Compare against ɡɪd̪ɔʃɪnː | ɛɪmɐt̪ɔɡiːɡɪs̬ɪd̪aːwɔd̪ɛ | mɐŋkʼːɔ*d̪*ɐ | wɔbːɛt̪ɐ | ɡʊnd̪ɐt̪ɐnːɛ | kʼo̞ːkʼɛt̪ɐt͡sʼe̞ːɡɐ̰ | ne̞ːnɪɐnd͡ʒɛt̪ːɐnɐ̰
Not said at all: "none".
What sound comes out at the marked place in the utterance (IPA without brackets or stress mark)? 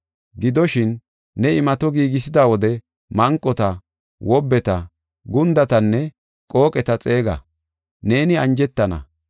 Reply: t̪